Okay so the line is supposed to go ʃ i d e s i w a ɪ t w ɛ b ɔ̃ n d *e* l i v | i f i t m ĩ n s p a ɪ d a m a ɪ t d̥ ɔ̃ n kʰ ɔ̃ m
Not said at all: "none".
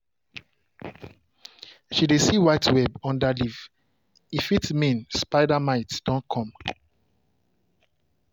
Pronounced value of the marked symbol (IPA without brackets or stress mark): a